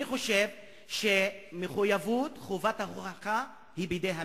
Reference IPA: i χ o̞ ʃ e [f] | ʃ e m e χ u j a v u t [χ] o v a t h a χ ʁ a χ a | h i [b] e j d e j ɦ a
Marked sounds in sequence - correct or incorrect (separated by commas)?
incorrect, correct, correct